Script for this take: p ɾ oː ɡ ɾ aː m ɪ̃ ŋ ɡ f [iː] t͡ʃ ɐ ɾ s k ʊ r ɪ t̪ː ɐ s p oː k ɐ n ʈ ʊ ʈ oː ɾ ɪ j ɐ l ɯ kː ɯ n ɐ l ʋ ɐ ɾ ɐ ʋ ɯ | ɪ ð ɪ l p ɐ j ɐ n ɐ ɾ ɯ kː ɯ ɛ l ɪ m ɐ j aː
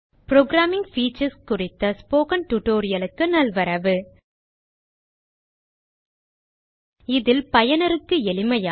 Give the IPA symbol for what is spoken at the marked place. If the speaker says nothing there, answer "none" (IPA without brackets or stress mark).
iː